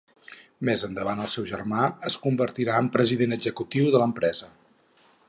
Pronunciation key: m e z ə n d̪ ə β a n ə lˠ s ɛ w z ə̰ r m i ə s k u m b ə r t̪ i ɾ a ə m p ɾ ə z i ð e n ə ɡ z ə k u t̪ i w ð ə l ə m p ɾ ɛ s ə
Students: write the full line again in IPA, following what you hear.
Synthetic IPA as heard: m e z ə n d̪ ə β a n ə lˠ s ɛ w ʒ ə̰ r m a ə s k u m b ə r t̪ i ɾ a ə m p ɾ ə z i ð e n ə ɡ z ə k u t̪ i w ð ə l ə m p ɾ ɛ z ə

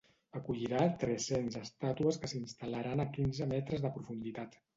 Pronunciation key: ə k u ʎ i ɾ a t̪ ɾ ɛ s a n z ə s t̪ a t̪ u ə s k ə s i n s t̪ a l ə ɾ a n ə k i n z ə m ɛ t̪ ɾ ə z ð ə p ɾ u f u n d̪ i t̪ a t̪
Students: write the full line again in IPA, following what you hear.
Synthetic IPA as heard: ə k u ʎ i ɾ a t̪ ɾ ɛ s e n z ə s t̪ a t̪ u ə s k ə s i n s t̪ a l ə ɾ a n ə k i n z ə m ɛ t̪ ɾ ə z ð ə p ɾ u f u n d̪ i t̪ a t̪

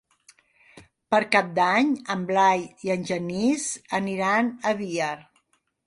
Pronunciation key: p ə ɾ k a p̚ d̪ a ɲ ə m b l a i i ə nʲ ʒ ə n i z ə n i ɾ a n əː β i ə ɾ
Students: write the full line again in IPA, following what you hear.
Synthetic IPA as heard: p ə ɾ k a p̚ d̪ a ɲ ə m b l a j i ə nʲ ʒ ə n i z ə n i ɾ a n ə β i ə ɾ

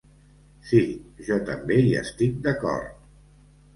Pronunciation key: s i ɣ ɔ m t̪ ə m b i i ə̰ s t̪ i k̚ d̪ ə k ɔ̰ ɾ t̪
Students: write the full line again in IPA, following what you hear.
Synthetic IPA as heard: s i ʒ ɔ t̪ ə m b e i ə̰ s t̪ i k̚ d̪ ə k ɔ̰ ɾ t̪

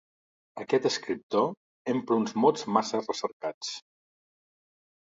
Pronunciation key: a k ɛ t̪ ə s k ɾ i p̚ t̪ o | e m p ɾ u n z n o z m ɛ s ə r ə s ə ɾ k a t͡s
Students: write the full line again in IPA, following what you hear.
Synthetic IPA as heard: ə k ɛ t̪ ə s k ɾ i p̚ t̪ o | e m p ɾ u n z m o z m a s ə r ə s ə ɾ k a t͡s

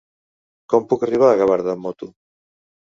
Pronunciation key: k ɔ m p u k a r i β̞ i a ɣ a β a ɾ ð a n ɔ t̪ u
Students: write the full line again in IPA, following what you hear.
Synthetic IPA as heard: k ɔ m p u k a r i β̞ a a ɣ a β a ɾ ð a m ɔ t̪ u

